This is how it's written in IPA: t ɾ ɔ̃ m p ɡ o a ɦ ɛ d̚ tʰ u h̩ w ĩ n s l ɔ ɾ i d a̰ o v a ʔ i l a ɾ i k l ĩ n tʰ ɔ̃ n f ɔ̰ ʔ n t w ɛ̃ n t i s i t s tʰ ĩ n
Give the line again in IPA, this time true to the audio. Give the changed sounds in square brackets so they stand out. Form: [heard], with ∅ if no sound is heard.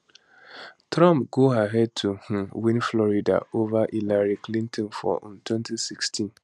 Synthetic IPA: t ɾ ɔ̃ m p ɡ o a ɦ ɛ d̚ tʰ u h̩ w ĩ n [f] l ɔ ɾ i d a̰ o v a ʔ i l a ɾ i k l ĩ n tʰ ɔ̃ n f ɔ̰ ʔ n t w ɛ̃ n t i s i [k] s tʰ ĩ n